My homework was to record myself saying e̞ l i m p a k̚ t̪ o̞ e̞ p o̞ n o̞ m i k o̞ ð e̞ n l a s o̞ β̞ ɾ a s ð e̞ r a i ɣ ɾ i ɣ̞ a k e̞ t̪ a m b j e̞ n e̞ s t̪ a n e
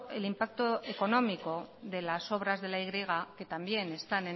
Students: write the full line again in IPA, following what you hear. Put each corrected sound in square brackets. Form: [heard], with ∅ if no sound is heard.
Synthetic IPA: e̞ l i m p a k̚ t̪ o̞ e̞ [k] o̞ n o̞ m i k o̞ ð e̞ [∅] l a s o̞ β̞ ɾ a [z] ð e̞ [l] a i ɣ ɾ i ɣ̞ a k e̞ t̪ a m b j e̞ n e̞ s t̪ a n e